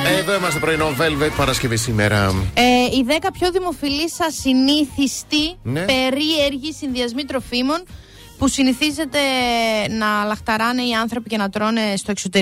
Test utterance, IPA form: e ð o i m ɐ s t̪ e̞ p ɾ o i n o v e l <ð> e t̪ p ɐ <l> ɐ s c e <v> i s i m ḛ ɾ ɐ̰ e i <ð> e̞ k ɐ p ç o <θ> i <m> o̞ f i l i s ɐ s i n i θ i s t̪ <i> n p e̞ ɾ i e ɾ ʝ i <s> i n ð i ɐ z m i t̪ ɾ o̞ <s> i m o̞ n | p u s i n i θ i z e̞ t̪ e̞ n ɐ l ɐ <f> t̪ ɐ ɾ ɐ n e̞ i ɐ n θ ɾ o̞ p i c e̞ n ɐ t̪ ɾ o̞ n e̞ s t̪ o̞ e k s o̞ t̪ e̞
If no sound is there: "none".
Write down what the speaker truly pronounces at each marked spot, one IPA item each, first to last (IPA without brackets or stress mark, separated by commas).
v, ɾ, v, ð, ð, m, i, s, f, x